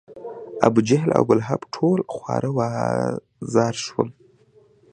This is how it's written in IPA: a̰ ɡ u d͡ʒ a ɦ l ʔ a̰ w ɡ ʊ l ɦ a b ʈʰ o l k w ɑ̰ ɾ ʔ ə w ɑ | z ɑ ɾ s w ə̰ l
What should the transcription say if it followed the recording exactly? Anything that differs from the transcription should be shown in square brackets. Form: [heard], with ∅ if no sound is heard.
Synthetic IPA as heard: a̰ [b] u d͡ʒ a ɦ l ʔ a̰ w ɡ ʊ l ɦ a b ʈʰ o l [x] w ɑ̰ ɾ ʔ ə w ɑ | z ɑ ɾ [ʃ] w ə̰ l

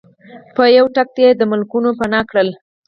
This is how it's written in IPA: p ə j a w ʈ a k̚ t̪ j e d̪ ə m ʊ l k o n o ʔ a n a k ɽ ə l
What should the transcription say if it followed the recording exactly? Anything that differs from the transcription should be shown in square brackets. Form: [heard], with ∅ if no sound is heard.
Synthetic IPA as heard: p ə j a w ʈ a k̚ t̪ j e d̪ ə m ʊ l k [u] n o [p] a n [ɑ] k ɽ ə l

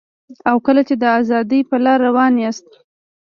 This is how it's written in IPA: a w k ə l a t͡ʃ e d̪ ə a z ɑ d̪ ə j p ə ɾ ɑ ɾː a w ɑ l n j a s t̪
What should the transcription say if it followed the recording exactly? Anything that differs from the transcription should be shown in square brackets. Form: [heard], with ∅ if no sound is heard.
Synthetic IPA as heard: a w k ə l a t͡ʃ e d̪ ə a z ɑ d̪ ə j p ə [l] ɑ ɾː a w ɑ [∅] n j a s t̪

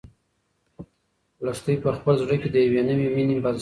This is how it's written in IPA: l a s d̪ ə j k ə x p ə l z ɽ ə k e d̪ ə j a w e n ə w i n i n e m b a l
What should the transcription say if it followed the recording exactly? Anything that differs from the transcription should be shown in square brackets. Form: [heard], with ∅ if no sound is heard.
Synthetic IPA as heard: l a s [t̪] ə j [p] ə x p ə l z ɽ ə k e d̪ ə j a w e n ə w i [m] i n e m b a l

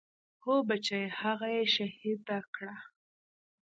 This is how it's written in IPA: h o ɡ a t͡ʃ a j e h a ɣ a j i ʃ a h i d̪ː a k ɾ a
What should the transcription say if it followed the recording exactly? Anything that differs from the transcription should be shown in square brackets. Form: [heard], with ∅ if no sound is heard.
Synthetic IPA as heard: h o [b] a t͡ʃ a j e h a ɣ a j [e] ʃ a h i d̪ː a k [ɽ] a

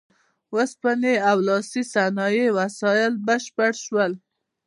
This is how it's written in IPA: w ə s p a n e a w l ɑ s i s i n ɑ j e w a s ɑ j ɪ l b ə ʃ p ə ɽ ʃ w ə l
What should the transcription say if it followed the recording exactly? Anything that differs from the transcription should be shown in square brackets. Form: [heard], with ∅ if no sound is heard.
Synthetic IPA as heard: w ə s p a n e a w l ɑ s i s [a] n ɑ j e w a s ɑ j ɪ l b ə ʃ p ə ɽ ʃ w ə l

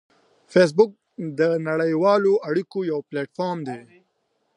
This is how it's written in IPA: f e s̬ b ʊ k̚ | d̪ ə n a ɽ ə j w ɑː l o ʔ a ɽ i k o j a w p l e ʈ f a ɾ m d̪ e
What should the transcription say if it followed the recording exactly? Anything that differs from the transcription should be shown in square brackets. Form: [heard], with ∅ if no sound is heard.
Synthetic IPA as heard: f e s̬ b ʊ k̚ | d̪ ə n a ɽ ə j w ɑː l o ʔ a ɽ i k o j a w p l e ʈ f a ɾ m d̪ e

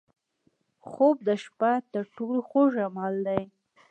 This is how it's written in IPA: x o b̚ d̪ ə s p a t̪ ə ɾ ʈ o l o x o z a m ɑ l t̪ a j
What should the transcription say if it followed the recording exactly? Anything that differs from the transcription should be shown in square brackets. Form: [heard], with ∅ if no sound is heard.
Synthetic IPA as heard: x o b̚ d̪ ə [ʃ] p a t̪ ə ɾ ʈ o l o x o [ʒ] a m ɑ l [d̪] a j

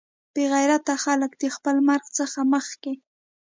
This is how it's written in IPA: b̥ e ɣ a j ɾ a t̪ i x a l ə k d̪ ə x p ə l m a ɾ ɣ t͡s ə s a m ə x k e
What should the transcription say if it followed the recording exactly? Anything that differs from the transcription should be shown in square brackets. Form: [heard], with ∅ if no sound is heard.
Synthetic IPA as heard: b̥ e ɣ a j ɾ a t̪ [a] x a l ə k d̪ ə x p ə l m a ɾ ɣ t͡s ə [x] a m ə x k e

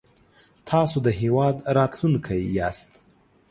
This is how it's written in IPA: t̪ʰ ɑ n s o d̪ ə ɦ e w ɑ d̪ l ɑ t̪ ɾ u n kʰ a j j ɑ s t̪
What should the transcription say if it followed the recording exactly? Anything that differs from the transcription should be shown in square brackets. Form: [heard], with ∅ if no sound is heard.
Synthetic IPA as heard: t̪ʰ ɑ [∅] s o d̪ ə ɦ e w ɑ d̪ [ɾ] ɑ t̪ [l] u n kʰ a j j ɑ s t̪

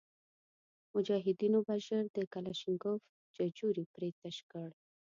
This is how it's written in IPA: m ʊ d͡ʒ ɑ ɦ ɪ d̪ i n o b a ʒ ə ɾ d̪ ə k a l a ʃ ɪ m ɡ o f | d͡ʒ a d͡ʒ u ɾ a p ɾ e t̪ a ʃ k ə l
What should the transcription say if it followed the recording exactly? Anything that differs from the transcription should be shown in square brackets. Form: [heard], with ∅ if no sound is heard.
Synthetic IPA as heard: m ʊ d͡ʒ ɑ ɦ ɪ d̪ i n o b a ʒ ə ɾ d̪ ə k a l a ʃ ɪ [ŋ] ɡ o f | d͡ʒ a d͡ʒ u ɾ [i] p ɾ e t̪ a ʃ k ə [ɽ]

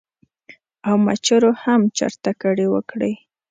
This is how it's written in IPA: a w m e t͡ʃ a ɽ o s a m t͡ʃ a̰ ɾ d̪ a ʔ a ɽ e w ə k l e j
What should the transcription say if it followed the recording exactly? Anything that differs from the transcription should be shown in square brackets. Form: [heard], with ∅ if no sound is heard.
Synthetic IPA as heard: a w m [a] t͡ʃ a [ɾ] o [h] a m t͡ʃ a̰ ɾ [t̪] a [k] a ɽ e w ə k [ɽ] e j

